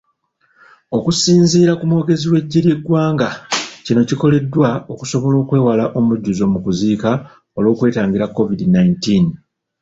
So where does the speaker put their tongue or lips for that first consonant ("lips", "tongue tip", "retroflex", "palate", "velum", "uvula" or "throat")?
velum